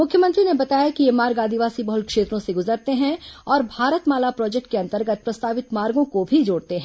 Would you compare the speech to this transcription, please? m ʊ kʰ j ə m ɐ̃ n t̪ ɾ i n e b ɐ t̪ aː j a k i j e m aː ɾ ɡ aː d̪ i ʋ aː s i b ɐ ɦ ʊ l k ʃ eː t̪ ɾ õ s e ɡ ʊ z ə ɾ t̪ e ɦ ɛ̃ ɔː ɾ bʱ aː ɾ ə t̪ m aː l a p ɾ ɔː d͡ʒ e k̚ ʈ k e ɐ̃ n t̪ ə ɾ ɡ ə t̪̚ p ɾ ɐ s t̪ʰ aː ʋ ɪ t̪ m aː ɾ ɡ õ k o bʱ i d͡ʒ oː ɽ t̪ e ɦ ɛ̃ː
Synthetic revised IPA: m ʊ kʰ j ə m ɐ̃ n t̪ ɾ i n e b ɐ t̪ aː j a k i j e m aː ɾ ɡ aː d̪ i ʋ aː s i b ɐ ɦ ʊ l k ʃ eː t̪ ɾ õ s e ɡ ʊ z ə ɾ t̪ e ɦ ɛ̃ ɔː ɾ bʱ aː ɾ ə t̪ m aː l a p ɾ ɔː d͡ʒ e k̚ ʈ k e ɐ̃ n t̪ ə ɾ ɡ ə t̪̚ p ɾ ɐ s t̪ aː ʋ ɪ t̪ m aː ɾ ɡ õ k o bʱ i d͡ʒ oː ɽ t̪ e ɦ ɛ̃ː